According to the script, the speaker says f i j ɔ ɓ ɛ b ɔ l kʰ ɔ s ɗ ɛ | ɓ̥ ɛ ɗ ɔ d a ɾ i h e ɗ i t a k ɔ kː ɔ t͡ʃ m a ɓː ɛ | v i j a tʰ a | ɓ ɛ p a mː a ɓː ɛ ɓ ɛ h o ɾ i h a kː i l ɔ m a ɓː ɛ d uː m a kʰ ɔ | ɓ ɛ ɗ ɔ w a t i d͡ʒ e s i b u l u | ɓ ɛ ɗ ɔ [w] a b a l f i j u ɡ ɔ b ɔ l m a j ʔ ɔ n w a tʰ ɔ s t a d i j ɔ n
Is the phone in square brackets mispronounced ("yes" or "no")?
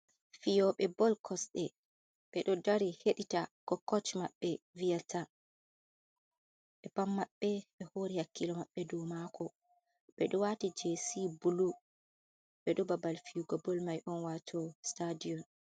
yes